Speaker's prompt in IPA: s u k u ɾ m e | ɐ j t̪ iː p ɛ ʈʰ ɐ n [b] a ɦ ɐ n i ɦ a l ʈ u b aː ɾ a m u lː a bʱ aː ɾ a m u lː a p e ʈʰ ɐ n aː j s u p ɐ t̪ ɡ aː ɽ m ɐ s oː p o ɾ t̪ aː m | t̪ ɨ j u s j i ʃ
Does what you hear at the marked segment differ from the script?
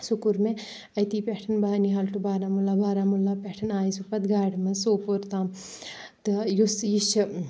no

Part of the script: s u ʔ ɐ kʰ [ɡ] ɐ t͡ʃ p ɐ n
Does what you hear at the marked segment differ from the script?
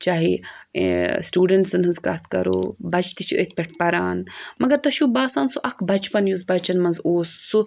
yes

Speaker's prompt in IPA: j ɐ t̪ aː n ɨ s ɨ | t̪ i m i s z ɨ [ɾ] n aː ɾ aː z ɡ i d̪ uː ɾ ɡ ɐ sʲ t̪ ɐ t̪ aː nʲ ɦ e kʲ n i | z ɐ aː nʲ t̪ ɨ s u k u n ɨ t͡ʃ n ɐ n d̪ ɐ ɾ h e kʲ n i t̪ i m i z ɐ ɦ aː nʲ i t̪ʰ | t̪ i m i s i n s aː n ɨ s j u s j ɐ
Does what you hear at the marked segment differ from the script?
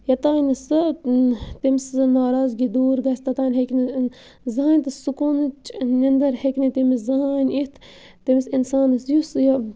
yes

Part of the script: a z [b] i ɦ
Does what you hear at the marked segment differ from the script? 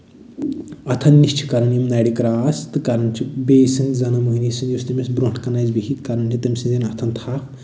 no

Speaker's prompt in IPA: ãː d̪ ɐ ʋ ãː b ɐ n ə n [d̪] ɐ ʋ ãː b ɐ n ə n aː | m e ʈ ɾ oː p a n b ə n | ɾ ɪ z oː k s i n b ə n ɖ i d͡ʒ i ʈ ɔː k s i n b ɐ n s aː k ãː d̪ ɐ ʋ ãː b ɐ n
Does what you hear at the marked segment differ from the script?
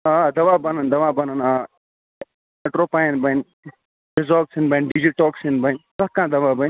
no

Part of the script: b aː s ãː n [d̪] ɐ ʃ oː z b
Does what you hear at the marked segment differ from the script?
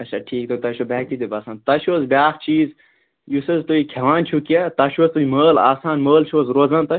yes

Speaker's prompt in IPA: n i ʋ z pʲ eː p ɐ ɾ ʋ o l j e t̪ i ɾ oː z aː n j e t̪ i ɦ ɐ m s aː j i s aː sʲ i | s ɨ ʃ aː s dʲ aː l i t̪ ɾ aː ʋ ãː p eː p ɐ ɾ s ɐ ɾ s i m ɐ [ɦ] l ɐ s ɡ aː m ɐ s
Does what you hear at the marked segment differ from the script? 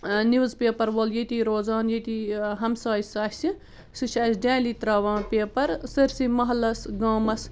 no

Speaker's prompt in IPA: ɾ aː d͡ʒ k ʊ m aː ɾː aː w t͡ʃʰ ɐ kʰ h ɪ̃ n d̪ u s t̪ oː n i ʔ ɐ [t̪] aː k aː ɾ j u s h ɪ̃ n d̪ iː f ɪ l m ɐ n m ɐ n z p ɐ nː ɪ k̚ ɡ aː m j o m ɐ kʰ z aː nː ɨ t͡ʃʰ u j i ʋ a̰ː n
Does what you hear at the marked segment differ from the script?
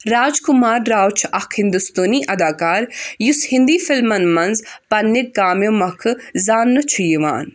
yes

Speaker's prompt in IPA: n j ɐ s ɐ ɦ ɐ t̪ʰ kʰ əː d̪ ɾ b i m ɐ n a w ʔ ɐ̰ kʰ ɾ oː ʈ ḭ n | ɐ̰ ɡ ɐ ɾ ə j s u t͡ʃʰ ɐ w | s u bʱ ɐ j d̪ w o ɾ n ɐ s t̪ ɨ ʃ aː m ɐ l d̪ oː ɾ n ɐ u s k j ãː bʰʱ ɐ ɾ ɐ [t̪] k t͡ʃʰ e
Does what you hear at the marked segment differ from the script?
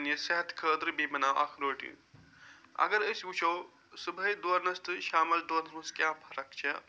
yes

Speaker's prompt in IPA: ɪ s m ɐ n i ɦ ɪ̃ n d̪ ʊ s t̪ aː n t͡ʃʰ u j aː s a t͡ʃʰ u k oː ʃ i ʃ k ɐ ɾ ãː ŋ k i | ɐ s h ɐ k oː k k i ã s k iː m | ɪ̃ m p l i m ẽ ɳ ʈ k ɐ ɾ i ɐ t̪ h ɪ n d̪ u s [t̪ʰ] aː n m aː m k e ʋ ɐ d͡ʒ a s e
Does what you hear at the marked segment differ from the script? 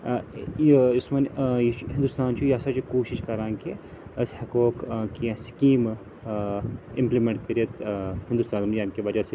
yes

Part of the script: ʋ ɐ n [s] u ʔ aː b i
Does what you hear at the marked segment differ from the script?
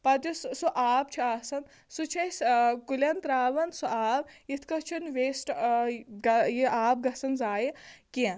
no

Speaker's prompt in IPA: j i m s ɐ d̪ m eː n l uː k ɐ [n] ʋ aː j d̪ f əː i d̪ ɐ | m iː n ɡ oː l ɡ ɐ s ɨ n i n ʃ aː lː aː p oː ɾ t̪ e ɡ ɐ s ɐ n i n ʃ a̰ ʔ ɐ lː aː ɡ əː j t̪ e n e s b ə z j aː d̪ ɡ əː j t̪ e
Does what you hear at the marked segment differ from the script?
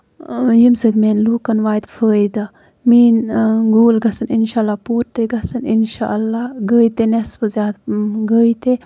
no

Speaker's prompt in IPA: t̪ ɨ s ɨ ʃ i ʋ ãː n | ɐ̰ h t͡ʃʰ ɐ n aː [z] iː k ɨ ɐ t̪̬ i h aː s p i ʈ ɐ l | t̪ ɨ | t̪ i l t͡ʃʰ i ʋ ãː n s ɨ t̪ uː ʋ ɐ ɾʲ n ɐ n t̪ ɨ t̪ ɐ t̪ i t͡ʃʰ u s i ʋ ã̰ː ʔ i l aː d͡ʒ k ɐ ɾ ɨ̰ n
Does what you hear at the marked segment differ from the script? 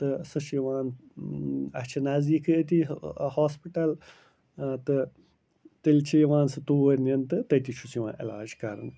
no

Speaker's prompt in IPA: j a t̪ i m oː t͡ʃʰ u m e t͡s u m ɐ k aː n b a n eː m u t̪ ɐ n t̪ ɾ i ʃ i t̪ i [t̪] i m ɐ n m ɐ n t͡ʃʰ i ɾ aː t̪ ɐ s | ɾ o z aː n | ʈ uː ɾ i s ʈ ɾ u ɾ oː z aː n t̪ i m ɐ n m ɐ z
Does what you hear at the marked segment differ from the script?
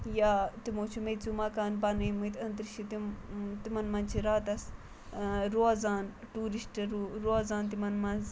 no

